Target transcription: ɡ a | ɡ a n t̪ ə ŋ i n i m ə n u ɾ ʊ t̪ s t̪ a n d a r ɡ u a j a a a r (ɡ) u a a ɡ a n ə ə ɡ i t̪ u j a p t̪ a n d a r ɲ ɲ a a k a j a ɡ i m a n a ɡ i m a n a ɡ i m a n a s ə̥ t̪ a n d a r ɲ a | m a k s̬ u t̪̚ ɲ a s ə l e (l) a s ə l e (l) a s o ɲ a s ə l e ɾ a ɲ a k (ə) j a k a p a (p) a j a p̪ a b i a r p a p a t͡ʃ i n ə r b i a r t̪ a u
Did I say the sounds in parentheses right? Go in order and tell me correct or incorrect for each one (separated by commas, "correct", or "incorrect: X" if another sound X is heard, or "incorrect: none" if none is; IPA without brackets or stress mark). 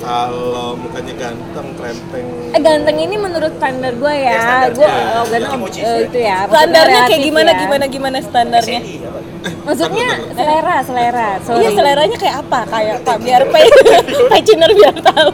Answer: correct, incorrect: ɾ, incorrect: ɾ, incorrect: a, incorrect: k